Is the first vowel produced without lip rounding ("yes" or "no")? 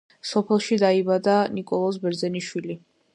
no